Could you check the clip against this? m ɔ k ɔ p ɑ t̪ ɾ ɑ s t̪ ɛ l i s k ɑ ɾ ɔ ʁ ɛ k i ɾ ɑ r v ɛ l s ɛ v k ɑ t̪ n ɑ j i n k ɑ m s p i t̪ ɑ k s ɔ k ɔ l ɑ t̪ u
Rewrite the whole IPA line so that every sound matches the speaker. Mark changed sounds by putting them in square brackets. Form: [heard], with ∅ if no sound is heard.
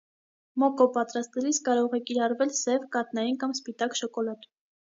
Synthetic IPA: m ɔ k ɔ p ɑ t̪ ɾ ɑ s t̪ ɛ l i s k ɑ ɾ ɔ ʁ ɛ k i ɾ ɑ r v ɛ l s ɛ v k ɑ t̪ n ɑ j i n k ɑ m s p i t̪ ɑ k [ʃ] ɔ k ɔ l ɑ t̪ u

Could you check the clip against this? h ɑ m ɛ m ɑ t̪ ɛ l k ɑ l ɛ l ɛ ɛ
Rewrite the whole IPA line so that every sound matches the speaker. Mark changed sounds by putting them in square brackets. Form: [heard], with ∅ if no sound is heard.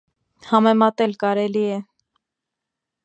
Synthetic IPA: h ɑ m ɛ m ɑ t̪ ɛ l k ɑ [ɾ] ɛ l [i] ɛ

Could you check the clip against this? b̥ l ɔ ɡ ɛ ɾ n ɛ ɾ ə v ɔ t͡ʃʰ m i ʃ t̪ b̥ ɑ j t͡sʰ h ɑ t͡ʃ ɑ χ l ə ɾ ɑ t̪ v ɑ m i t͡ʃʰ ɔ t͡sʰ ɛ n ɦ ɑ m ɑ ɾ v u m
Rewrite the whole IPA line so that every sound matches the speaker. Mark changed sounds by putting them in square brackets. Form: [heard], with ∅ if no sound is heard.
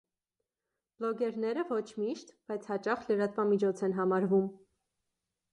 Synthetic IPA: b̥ l ɔ ɡ ɛ ɾ n ɛ ɾ ə v ɔ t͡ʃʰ m i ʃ t̪ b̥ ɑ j t͡sʰ h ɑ t͡ʃ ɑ χ l ə ɾ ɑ t̪ v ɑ m i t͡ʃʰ ɔ t͡sʰ ɛ n ɦ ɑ m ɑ ɾ v u m

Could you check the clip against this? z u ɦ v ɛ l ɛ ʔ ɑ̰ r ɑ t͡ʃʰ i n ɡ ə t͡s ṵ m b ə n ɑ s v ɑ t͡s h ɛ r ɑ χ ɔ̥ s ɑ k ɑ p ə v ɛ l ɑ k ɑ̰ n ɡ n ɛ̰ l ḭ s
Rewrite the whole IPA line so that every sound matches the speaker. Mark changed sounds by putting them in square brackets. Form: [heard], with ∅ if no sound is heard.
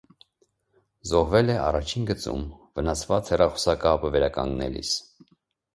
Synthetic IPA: z [ɔ] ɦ v ɛ l ɛ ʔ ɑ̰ r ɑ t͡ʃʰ i n ɡ ə t͡s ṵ m [v] ə n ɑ s v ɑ t͡s h ɛ r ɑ χ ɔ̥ s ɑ k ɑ p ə v ɛ [ɾ] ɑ k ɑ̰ [ŋ] ɡ n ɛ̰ l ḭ s

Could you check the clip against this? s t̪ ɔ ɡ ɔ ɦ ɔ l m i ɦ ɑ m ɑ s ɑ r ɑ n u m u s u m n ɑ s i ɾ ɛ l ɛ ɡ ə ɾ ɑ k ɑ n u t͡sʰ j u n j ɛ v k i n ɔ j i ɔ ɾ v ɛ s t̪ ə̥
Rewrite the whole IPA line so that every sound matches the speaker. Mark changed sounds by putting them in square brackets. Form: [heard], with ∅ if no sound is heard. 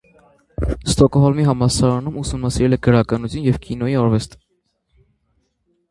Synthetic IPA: s t̪ ɔ [k] ɔ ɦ ɔ l m i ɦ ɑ m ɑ s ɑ [ɾ] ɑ n u m u s u m n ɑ s i ɾ ɛ l ɛ ɡ ə ɾ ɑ k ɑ n u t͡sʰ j u n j ɛ v k i n ɔ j i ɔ ɾ v ɛ s t̪ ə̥

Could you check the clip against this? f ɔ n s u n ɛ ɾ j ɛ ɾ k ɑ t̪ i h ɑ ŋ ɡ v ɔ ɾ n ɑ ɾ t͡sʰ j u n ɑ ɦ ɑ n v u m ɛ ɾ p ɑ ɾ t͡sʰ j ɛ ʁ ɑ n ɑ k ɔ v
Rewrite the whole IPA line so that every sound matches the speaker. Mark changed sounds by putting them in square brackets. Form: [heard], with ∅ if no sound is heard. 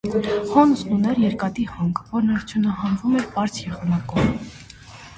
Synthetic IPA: [h] ɔ n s u n ɛ ɾ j ɛ ɾ k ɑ t̪ i h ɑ ŋ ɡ v ɔ ɾ n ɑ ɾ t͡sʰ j u n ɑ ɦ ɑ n v u m ɛ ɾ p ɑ ɾ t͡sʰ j ɛ ʁ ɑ n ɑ k ɔ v

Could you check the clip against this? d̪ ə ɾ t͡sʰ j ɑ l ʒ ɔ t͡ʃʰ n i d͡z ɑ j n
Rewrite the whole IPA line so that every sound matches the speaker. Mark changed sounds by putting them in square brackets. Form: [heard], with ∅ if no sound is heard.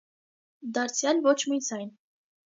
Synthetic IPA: d̪ [ɑ] ɾ t͡sʰ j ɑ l [v] ɔ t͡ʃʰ [m] i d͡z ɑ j n

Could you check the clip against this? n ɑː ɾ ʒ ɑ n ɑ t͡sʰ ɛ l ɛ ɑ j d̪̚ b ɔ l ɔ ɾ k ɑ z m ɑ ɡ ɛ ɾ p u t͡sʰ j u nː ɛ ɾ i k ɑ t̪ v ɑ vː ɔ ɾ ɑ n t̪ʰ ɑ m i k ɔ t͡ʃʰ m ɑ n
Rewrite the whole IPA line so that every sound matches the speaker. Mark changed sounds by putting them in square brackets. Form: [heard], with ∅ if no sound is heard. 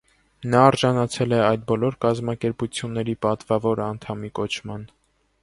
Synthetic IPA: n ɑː ɾ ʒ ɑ n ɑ t͡sʰ ɛ l ɛ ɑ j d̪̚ b ɔ l ɔ ɾ k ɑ z m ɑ [k] ɛ ɾ p u t͡sʰ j u nː ɛ ɾ i [p] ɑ t̪ v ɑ [v] ɔ ɾ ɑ n t̪ʰ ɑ m i k ɔ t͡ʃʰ m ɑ n

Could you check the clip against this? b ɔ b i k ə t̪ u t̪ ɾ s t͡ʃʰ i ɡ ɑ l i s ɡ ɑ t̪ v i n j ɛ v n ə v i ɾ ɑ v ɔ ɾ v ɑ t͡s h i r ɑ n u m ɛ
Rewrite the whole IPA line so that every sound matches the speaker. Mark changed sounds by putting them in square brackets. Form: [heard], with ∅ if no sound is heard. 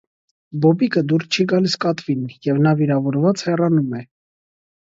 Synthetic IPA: b ɔ b i k ə [d̪] u [∅] ɾ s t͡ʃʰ i ɡ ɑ l i s [k] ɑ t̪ v i n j ɛ v n [ɑ] v i ɾ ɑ v ɔ ɾ v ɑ t͡s h [ɛ] r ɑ n u m ɛ

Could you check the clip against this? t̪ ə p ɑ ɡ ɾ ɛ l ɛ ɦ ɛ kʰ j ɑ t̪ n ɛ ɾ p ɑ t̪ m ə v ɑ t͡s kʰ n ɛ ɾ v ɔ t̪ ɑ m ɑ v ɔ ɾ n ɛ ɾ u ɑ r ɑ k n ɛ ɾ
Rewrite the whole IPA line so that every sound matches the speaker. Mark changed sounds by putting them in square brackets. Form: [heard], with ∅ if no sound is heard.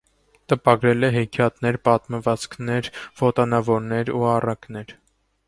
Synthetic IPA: t̪ ə p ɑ ɡ ɾ ɛ l ɛ ɦ ɛ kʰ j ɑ t̪ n ɛ ɾ p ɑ t̪ m ə v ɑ t͡s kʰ n ɛ ɾ v ɔ t̪ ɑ [n] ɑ v ɔ ɾ n ɛ ɾ u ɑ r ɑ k n ɛ ɾ

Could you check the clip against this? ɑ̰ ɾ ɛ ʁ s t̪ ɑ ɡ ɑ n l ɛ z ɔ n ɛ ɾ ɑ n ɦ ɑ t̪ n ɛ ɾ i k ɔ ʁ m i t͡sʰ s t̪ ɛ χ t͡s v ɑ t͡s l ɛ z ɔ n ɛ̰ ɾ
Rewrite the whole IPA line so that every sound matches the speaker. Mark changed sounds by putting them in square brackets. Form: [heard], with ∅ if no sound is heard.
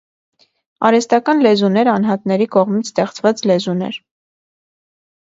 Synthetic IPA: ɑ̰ ɾ ɛ [∅] s t̪ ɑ [k] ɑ n l ɛ z [u] n ɛ ɾ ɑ n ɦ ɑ t̪ n ɛ ɾ i k ɔ ʁ m i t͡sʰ s t̪ ɛ χ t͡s v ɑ t͡s l ɛ z [u] n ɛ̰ ɾ

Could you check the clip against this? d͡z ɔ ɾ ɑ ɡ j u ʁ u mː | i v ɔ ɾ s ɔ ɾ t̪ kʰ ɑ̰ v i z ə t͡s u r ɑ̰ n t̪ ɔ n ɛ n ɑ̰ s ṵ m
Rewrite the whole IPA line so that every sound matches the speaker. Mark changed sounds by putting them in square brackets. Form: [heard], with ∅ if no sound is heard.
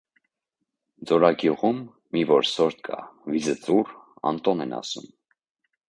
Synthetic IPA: d͡z ɔ ɾ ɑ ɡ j u ʁ u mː | i v ɔ ɾ s ɔ ɾ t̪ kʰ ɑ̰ v i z ə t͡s u r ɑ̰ n t̪ ɔ n ɛ n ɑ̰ s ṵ m

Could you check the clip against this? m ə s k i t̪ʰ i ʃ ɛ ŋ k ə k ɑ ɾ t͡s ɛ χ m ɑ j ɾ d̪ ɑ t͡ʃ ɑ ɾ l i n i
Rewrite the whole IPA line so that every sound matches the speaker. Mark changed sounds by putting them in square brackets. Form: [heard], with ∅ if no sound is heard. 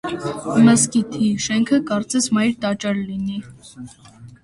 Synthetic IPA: m ə s k i t̪ʰ i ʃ ɛ ŋ [kʰ] ə k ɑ ɾ t͡s ɛ [s] m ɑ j ɾ [t̪] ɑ t͡ʃ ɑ ɾ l i n i

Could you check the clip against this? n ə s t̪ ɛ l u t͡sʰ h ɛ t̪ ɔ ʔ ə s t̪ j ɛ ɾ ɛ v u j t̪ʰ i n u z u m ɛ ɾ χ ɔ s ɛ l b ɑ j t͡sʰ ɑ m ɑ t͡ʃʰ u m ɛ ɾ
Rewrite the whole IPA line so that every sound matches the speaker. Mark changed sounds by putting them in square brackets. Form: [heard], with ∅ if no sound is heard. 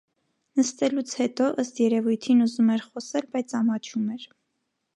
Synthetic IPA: n ə s t̪ ɛ l u t͡sʰ h ɛ t̪ ɔ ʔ ə s t̪ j ɛ ɾ ɛ v u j t̪ʰ i n u z u m ɛ ɾ χ ɔ s ɛ l b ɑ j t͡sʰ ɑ m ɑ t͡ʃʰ u m ɛ ɾ

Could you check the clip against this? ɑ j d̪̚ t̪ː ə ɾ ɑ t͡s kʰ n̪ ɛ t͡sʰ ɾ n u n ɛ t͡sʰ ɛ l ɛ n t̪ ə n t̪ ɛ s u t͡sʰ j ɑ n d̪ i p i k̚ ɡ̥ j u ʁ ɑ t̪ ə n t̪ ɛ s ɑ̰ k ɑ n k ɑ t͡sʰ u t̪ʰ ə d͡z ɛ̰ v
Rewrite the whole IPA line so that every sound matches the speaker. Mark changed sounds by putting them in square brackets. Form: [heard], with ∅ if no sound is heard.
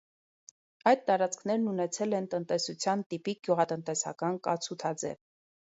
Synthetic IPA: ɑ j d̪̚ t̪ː [ɑ] ɾ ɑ t͡s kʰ n̪ ɛ [∅] ɾ n u n ɛ t͡sʰ ɛ l ɛ n t̪ ə n t̪ ɛ s u t͡sʰ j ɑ n [t̪] i p i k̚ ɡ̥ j u ʁ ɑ t̪ ə n t̪ ɛ s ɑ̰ k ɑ n k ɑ t͡sʰ u t̪ʰ [ɑ] d͡z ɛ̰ v

